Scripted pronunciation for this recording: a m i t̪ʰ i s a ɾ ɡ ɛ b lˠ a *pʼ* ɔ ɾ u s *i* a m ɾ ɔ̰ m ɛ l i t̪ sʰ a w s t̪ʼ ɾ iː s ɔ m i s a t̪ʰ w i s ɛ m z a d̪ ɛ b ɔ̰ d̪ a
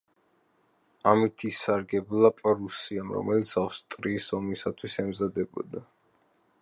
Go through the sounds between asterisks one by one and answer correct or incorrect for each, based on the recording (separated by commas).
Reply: correct, correct